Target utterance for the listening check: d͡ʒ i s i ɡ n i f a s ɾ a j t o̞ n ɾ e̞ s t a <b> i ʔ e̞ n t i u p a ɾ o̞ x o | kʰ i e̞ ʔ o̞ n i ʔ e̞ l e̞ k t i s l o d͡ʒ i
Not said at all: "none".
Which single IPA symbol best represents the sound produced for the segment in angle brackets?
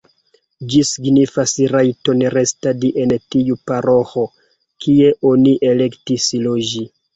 d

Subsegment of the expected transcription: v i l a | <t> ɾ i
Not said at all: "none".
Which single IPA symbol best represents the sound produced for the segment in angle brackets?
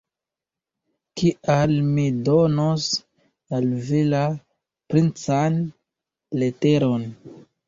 p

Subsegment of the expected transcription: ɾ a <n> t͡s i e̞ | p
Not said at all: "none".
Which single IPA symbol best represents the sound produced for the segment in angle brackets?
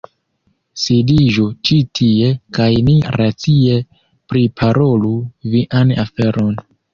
none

